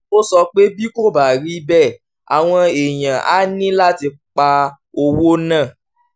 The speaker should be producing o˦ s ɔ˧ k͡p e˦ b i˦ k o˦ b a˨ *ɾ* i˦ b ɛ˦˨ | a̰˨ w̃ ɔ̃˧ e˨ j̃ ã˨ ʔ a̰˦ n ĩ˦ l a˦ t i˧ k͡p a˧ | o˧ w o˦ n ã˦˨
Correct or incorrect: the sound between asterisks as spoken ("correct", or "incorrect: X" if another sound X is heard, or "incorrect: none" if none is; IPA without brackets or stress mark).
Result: correct